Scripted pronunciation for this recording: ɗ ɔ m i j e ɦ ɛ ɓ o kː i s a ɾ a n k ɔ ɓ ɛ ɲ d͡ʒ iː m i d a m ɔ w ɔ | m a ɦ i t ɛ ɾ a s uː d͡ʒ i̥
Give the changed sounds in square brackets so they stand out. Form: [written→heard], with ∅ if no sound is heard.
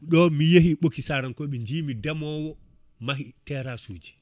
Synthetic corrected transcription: ɗ ɔ m i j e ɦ [ɛ→i] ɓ o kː i s a ɾ a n k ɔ ɓ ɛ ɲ d͡ʒ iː m i d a m ɔ w ɔ | m a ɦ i t ɛ ɾ a s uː d͡ʒ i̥